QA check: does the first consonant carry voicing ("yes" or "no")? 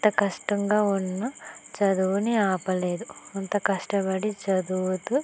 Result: no